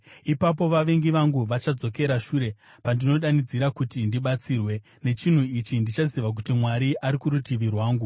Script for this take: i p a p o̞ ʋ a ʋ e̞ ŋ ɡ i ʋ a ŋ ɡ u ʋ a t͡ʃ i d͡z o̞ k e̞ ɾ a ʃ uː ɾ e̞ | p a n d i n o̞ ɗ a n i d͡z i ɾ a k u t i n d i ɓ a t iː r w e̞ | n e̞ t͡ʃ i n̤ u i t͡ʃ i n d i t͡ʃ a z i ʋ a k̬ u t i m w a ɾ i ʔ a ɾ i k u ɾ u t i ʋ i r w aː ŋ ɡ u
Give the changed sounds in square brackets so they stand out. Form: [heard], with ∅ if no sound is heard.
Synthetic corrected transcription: i p a p o̞ ʋ a ʋ e̞ ŋ ɡ i ʋ a ŋ ɡ u ʋ a t͡ʃ [a] d͡z o̞ k e̞ ɾ a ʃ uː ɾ e̞ | p a n d i n o̞ ɗ a n i d͡z i ɾ a k u t i n d i ɓ a [t͡s] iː r w e̞ | n e̞ t͡ʃ i n̤ u i t͡ʃ i n d i t͡ʃ a z i ʋ a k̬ u t i m w a ɾ i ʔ a ɾ i k u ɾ u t i ʋ i r w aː ŋ ɡ u